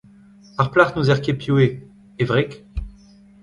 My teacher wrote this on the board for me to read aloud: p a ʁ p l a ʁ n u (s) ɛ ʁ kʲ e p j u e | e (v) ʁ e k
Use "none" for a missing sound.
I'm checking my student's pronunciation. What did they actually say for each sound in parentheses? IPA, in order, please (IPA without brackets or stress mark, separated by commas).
z, v